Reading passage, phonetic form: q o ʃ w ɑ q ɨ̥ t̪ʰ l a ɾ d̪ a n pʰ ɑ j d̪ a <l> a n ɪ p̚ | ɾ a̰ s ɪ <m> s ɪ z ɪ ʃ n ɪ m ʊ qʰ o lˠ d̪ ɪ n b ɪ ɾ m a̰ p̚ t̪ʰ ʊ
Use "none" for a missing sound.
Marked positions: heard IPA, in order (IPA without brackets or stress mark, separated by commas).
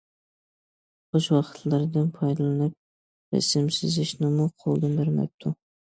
l, m